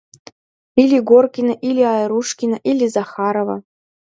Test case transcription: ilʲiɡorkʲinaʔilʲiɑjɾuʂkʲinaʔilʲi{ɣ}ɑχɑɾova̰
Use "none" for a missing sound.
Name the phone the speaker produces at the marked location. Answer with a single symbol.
z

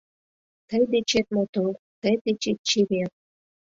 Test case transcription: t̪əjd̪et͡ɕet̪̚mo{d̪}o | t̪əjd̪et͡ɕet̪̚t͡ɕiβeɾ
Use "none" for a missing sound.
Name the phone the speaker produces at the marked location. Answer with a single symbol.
t̪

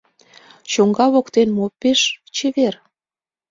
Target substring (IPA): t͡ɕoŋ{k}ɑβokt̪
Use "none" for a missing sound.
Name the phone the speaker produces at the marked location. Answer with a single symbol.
ɡ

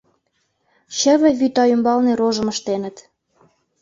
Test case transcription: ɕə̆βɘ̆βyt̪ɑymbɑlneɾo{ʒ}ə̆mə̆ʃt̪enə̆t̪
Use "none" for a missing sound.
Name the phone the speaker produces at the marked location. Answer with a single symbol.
ʒ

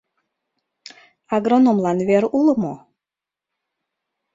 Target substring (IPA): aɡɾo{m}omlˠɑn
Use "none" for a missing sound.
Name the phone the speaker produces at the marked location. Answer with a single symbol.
n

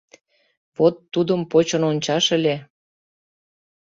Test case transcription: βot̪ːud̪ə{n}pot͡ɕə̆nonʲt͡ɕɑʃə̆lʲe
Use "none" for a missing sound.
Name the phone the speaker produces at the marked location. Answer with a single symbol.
m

